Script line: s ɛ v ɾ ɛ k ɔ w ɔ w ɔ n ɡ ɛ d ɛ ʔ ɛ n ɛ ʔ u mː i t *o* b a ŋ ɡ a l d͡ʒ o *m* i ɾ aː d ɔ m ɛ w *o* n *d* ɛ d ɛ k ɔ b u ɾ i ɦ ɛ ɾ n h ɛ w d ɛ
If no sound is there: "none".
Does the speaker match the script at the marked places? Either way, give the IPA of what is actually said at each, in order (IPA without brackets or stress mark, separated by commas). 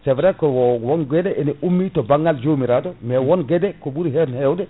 ɔ, m, ɔ, ɡ